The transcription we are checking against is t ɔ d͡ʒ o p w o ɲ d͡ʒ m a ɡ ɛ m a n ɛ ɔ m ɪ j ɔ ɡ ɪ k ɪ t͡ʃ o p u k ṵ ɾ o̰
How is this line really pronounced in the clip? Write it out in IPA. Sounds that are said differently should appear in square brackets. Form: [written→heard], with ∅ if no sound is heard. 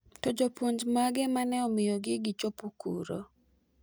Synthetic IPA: t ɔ d͡ʒ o p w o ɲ d͡ʒ m a ɡ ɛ m a n ɛ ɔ m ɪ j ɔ ɡ ɪ [k→ɡ] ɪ t͡ʃ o p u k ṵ ɾ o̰